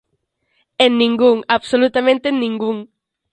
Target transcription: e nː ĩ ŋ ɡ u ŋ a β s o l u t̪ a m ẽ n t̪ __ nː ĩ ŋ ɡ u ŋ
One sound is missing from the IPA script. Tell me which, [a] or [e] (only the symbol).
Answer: e